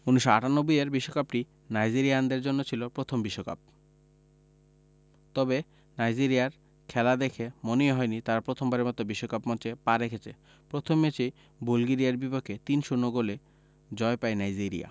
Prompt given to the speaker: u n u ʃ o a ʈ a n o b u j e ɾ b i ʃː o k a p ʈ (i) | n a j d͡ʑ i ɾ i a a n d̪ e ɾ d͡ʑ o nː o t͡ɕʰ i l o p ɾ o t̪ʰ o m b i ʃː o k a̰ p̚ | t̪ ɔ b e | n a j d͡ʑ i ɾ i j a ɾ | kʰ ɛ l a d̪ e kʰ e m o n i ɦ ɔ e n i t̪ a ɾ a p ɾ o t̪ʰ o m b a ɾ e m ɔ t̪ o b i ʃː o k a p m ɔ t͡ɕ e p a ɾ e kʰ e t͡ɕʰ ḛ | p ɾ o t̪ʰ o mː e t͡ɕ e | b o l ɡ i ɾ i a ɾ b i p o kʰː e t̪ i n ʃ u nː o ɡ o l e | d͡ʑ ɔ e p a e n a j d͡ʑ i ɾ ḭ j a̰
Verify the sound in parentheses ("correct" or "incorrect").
correct